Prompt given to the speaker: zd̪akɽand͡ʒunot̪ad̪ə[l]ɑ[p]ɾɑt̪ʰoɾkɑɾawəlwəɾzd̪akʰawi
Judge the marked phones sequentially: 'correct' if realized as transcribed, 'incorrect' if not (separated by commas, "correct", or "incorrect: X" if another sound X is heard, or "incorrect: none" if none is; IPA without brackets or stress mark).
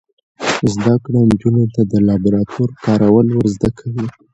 correct, incorrect: b